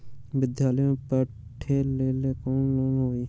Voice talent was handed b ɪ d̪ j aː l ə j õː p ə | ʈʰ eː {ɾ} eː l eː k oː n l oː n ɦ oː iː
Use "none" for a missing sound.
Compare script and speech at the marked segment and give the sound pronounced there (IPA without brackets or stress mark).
l